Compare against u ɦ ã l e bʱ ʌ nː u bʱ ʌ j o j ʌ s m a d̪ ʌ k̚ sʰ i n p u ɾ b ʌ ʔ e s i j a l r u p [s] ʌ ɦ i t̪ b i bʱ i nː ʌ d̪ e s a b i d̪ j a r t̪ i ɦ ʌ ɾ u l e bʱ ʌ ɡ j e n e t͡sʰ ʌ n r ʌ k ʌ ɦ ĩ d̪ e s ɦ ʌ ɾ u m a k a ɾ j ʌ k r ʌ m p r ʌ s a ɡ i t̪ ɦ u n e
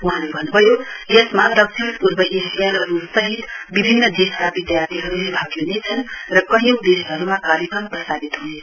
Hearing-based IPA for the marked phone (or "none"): s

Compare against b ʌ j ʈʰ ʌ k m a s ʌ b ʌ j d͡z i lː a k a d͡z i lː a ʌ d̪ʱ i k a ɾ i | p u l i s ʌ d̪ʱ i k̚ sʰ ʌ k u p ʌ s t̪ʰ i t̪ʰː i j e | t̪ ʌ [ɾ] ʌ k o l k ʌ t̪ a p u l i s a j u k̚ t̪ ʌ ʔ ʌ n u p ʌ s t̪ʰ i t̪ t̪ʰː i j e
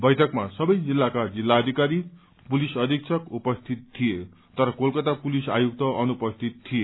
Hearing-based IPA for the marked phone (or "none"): ɾ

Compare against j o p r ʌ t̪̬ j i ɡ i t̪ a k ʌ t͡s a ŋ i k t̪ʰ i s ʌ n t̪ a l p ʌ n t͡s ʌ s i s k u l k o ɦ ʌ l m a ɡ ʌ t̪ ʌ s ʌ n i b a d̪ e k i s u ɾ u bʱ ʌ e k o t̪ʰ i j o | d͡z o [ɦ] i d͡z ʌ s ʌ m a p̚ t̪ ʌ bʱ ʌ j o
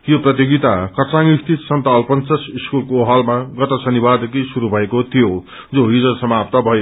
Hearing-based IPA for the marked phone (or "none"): ɦ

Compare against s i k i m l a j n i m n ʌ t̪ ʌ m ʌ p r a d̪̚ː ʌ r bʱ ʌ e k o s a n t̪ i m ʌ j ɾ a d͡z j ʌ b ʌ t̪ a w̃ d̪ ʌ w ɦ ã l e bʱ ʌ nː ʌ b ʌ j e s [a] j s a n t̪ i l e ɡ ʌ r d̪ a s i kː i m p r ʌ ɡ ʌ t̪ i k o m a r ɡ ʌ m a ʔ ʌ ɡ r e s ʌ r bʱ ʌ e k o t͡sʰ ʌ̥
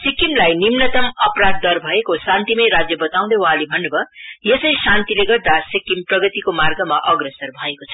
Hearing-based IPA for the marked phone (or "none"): ʌ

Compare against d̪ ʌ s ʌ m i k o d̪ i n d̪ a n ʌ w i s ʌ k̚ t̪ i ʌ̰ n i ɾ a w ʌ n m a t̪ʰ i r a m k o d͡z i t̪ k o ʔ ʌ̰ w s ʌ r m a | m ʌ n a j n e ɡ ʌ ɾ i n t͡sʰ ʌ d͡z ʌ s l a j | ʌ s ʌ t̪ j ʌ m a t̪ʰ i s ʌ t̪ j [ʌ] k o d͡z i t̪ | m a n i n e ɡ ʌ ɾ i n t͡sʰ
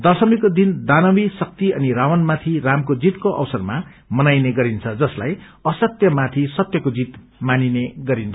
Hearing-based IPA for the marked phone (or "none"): ʌ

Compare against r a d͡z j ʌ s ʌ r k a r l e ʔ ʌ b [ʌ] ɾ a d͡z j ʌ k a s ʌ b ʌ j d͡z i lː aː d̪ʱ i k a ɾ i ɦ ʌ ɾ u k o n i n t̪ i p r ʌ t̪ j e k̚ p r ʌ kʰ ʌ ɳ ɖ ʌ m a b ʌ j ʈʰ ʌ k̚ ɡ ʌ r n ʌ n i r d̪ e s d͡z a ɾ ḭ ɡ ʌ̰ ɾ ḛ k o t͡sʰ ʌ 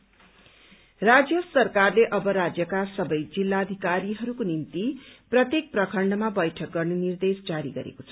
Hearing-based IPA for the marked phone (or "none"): ʌ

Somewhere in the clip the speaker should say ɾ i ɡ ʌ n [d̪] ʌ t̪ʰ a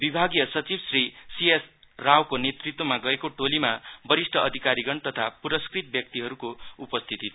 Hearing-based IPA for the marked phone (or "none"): t̪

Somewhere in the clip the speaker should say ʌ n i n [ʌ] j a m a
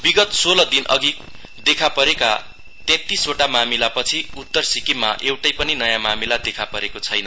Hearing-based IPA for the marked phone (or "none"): ʌ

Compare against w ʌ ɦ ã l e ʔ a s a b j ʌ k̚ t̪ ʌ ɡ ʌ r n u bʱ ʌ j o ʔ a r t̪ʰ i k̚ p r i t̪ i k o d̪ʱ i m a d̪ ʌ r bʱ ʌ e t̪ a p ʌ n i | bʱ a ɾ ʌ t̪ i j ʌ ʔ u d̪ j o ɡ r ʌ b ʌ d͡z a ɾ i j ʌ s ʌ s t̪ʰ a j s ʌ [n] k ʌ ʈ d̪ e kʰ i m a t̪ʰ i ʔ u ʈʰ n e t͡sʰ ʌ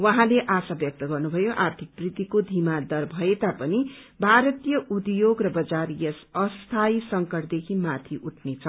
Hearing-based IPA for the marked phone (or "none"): ŋ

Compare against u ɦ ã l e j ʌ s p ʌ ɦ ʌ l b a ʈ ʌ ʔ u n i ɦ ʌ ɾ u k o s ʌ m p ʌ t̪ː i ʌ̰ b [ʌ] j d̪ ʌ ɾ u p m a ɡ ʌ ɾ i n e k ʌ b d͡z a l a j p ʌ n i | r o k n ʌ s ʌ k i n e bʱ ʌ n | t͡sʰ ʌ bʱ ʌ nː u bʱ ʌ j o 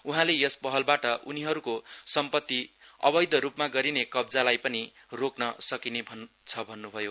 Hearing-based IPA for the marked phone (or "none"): ʌ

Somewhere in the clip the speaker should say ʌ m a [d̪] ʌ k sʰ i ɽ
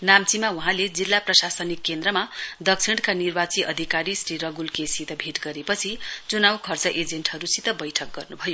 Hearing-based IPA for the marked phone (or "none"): d̪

